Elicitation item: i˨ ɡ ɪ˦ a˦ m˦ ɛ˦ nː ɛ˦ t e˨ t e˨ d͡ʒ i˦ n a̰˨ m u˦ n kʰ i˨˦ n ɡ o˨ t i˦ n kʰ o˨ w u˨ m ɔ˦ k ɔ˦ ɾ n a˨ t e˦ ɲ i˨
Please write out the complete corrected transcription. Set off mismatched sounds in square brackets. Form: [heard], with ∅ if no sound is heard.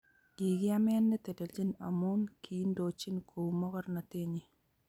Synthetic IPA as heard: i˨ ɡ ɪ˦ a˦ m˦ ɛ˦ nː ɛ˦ t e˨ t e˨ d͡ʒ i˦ n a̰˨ m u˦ n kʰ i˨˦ n [d] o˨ [t͡ʃ] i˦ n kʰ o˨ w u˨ m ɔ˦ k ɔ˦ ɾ n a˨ t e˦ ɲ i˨